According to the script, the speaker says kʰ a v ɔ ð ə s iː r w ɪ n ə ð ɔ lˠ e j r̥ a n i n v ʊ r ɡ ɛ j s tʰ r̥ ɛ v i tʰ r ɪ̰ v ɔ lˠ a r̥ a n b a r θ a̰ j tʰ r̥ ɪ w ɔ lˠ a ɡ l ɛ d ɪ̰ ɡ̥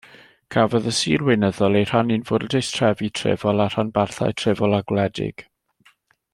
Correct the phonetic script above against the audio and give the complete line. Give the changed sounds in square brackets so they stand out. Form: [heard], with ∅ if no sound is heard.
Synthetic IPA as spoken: kʰ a v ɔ ð ə s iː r w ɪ n ə ð ɔ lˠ e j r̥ a n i n v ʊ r [d] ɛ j s tʰ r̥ ɛ v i tʰ r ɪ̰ v ɔ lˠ a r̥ a n b a r θ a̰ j tʰ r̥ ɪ [v] ɔ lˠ a ɡ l ɛ d ɪ̰ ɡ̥

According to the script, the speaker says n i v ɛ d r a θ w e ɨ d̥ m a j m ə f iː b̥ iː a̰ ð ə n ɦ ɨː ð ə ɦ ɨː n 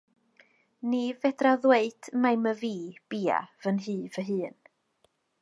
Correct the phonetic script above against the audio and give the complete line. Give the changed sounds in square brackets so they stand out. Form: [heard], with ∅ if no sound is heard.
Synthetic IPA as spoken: n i v ɛ d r a [ð] w e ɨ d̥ m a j m ə [v] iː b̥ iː a̰ [v] ə n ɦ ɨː [v] ə ɦ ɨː n

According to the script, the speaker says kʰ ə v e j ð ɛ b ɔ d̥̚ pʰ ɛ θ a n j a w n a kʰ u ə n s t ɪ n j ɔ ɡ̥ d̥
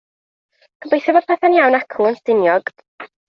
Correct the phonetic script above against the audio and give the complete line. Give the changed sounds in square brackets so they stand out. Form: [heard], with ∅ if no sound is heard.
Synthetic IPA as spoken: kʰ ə [b] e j [θ] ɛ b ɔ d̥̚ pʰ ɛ θ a n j a w n a kʰ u ə n s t ɪ n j ɔ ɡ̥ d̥

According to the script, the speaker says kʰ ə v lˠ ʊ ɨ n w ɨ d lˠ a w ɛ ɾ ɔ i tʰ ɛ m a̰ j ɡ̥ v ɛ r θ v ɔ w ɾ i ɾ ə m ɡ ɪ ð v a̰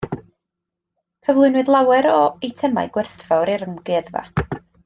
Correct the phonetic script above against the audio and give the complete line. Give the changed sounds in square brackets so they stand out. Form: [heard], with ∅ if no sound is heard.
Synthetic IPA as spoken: kʰ ə v lˠ ʊ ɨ n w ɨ d lˠ a w ɛ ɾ ɔ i tʰ ɛ m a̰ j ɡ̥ [w] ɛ r θ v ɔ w ɾ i ɾ ə m ɡ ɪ ð v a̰

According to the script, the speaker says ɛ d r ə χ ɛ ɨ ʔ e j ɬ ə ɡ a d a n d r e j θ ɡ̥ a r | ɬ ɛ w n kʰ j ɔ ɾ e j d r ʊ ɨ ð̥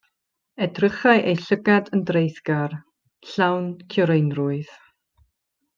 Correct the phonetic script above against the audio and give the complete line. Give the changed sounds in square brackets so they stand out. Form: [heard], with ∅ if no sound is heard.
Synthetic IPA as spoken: ɛ d r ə χ [a] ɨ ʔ e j ɬ ə ɡ a d [ə] n d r e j θ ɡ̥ a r | ɬ [a] w n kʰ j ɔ ɾ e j [n] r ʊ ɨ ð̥

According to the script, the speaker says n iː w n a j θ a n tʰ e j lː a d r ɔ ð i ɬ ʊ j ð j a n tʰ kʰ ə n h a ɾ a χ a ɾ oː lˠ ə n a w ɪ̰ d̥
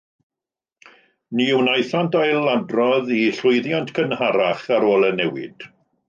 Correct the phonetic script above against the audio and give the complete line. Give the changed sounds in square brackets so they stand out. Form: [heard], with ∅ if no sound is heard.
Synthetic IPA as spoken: n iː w n a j θ a n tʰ [a] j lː a d r ɔ ð i ɬ ʊ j ð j a n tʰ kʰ ə n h a ɾ a χ a ɾ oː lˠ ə n [ɛ] w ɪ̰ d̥

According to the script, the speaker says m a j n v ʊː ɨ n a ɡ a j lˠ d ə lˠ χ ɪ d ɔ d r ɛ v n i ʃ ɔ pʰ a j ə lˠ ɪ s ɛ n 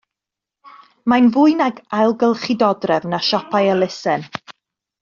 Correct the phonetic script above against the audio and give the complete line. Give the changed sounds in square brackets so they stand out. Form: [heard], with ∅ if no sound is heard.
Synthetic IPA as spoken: m a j n v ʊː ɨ n a ɡ a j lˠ [ɡ] ə lˠ χ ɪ d ɔ d r ɛ v n [a] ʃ ɔ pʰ a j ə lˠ ɪ s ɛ n

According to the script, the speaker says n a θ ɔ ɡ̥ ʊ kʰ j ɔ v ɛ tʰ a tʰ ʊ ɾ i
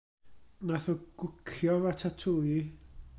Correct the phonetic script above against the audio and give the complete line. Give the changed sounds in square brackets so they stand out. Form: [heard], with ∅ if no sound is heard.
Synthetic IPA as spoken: n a θ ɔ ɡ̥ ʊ kʰ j ɔ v [a] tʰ a tʰ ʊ [l] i

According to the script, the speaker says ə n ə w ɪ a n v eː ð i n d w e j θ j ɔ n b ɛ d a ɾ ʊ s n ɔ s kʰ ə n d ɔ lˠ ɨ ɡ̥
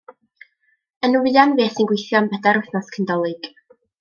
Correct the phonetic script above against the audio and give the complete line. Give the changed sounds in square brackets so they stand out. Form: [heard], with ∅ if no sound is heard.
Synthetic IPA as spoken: ə n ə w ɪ a n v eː [θ] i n [ɡ] w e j θ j ɔ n b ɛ d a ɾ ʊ [θ] n ɔ s kʰ ə n d ɔ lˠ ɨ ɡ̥

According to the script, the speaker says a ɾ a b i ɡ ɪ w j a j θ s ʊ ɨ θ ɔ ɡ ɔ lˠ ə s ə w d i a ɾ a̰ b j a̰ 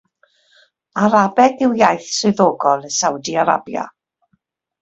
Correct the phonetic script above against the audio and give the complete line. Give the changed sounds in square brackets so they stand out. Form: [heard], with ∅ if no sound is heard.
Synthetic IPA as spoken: a ɾ a b [ɛ] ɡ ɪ w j a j θ s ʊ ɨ [ð] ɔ ɡ ɔ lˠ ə s [a] w d i a ɾ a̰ b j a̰

